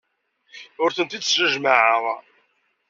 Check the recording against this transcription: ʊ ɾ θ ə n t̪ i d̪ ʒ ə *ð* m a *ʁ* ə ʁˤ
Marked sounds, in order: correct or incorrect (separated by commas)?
incorrect, incorrect